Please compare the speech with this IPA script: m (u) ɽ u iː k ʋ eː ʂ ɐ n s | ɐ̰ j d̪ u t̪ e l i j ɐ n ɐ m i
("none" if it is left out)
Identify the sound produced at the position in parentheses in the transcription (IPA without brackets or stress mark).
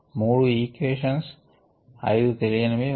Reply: uː